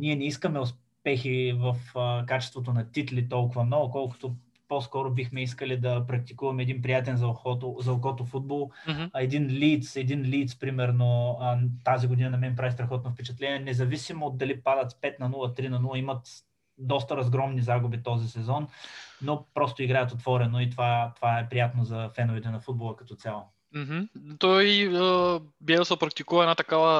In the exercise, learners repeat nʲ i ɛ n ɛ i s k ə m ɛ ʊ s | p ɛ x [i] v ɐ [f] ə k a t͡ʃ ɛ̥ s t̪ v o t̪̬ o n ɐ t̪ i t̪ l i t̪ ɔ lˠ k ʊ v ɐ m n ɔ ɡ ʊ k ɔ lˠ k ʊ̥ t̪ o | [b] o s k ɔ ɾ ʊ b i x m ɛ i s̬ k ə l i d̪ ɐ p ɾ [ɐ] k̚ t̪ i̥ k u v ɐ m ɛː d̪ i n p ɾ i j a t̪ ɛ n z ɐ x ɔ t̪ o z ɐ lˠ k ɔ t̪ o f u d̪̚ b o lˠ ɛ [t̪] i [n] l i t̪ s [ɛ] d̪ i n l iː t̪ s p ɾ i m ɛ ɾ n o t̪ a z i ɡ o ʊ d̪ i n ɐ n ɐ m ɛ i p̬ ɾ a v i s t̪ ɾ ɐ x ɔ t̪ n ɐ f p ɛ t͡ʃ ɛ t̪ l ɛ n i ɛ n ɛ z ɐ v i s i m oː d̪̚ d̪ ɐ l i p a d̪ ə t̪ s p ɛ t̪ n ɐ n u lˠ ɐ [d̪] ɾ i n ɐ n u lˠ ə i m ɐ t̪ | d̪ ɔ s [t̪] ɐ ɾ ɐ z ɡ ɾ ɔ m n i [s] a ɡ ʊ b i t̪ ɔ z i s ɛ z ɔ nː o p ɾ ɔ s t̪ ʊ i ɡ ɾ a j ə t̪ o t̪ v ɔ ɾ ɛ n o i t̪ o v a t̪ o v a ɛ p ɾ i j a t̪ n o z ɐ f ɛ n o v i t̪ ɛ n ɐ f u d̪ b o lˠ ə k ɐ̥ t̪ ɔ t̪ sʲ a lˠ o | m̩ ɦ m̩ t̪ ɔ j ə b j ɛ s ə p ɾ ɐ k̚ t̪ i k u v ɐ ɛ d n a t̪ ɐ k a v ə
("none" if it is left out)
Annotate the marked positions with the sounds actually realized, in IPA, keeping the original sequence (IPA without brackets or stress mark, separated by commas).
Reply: i, f, p, ɐ, d̪, n, ɛ, t̪, t̪, z